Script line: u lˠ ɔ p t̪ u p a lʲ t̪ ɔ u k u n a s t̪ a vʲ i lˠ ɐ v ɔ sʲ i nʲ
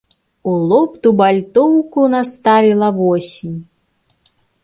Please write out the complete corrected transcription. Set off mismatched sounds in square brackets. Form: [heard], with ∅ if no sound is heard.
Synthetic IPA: u lˠ ɔ p t̪ u [b] a lʲ t̪ ɔ [w] k u n a s t̪ a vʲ i lˠ ɐ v ɔ sʲ i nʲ